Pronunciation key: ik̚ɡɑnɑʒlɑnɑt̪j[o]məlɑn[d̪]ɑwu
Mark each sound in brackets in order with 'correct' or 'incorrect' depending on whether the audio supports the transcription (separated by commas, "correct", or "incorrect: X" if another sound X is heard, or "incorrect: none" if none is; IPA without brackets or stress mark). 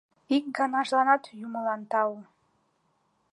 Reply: incorrect: u, incorrect: t̪